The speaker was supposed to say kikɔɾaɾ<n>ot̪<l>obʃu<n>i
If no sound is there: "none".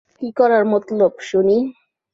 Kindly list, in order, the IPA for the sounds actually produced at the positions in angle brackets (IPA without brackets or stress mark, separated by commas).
m, l, n